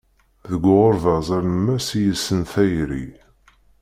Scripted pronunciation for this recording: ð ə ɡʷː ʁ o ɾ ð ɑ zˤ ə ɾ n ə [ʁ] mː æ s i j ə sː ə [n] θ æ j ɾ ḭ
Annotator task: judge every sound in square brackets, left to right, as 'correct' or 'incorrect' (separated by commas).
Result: incorrect, correct